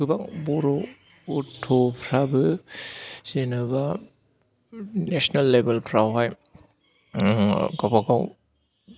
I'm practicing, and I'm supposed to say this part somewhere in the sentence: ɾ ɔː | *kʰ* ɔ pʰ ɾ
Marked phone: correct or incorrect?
incorrect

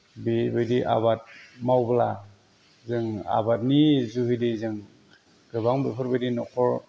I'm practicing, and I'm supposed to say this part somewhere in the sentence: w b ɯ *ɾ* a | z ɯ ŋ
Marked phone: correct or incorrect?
incorrect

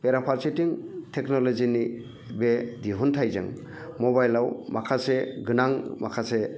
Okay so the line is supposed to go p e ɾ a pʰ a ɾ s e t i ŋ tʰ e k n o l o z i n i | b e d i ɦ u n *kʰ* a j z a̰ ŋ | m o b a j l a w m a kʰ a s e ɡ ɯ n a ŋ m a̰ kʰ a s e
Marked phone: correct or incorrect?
incorrect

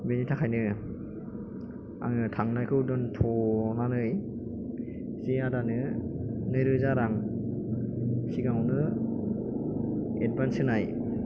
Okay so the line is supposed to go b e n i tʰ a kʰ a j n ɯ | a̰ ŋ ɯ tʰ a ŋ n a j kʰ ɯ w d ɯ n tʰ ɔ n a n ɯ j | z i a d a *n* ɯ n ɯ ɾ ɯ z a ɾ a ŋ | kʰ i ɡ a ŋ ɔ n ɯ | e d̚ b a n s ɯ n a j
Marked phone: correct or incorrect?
correct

